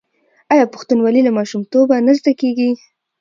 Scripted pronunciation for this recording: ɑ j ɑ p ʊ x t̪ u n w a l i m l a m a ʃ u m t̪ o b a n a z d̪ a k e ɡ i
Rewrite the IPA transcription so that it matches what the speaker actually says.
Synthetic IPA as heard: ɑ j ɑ p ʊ x t̪ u n w a l i l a m ɑ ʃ u m t̪ o b a n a z d̪ a k e ɡ i